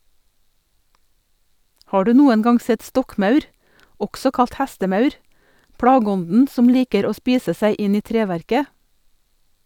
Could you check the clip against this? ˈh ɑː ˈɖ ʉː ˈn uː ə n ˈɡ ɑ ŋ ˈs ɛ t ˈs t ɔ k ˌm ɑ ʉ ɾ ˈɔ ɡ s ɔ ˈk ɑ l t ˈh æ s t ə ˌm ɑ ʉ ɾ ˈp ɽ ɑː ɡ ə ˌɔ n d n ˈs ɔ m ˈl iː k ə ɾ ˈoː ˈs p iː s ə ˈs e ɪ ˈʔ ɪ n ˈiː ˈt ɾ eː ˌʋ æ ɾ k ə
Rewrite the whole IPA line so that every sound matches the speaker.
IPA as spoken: ˈh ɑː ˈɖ ʉː ˈn uː ə n ˈɡ ɑ ŋ ˈs ɛ t ˈs t ɔ k ˌm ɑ ʉ ɾ ˈɔ ɡ s ɔ ˈk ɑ l t ˈh æ s t ə ˌm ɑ ʉ ɾ ˈp ɽ ɑː ɡ ə ˌɔ n d n ˈs ɔ m ˈl iː k ə ɾ ˈoː ˈs p iː s ə ˈs æ ɪ ˈʔ ɪ n ˈiː ˈt ɾ eː ˌʋ æ ɾ k ə